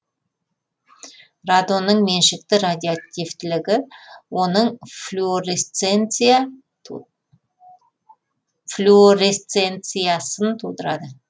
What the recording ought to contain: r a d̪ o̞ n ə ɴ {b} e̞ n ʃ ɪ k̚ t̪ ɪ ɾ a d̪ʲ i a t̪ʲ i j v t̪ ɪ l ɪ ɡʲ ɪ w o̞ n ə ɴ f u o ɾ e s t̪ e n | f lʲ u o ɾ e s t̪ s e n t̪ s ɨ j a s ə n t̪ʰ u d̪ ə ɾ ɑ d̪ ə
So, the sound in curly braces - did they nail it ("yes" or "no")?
no